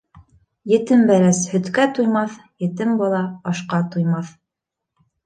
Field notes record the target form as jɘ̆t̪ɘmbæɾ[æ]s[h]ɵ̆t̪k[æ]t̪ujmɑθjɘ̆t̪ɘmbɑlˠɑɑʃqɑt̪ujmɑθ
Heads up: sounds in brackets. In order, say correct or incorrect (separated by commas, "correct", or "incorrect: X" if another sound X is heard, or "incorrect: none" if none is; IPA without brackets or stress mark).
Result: correct, correct, correct